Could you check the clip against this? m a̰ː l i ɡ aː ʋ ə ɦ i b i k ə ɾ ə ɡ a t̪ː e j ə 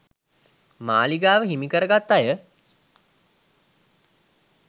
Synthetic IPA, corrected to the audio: m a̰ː l i ɡ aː ʋ ə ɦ i m i k ə ɾ ə ɡ a t̪ː a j ə